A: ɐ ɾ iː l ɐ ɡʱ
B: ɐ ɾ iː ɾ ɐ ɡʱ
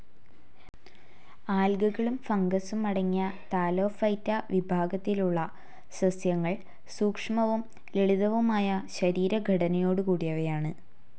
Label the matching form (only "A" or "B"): B